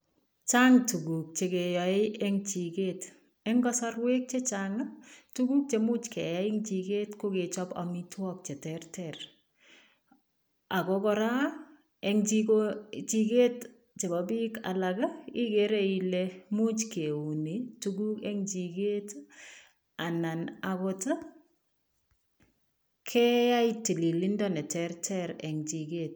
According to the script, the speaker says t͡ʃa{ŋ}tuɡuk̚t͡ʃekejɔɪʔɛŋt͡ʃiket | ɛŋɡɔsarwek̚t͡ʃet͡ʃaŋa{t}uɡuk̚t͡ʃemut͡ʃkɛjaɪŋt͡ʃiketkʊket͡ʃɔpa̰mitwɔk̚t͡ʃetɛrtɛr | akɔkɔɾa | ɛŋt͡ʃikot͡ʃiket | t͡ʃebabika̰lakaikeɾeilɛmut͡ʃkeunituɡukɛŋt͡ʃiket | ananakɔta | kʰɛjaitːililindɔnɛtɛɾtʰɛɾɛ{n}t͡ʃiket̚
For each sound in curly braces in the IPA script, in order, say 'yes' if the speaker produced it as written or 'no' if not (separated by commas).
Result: yes, yes, no